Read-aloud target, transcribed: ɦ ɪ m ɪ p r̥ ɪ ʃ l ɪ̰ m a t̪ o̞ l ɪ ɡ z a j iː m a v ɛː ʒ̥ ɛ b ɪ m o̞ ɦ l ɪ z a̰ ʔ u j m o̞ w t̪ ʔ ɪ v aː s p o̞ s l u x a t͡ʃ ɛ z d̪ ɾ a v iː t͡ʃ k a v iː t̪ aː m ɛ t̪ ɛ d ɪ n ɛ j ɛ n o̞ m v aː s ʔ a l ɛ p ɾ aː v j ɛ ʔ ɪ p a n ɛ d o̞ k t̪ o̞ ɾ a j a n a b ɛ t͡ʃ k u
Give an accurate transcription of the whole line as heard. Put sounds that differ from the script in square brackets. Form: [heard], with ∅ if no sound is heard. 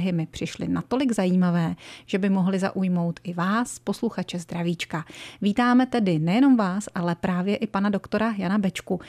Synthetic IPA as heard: ɦ ɪ m ɪ p r̥ ɪ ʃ l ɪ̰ [n] a t̪ o̞ l ɪ ɡ z a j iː m a v ɛː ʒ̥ ɛ b ɪ m o̞ ɦ l ɪ z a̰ ʔ u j m o̞ w t̪ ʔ ɪ v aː s p o̞ s l u x a t͡ʃ ɛ z d̪ ɾ a v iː t͡ʃ k a v iː t̪ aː m ɛ t̪ ɛ d ɪ n ɛ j ɛ n o̞ m v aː s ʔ a l ɛ p ɾ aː v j ɛ ʔ ɪ p a n [a] d o̞ k t̪ o̞ ɾ a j a n a b ɛ t͡ʃ k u